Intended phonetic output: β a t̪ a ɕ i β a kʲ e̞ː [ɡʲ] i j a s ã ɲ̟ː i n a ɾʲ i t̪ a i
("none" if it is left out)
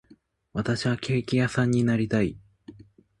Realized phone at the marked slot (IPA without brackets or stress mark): kʲ